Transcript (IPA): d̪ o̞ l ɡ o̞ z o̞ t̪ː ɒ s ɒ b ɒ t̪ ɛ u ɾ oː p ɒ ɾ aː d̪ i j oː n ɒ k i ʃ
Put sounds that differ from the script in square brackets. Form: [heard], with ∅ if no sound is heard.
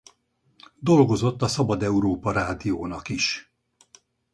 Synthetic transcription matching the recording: d̪ o̞ l ɡ o̞ z o̞ t̪ː ɒ s ɒ b ɒ [d̪] ɛ u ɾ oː p ɒ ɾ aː d̪ i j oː n ɒ k i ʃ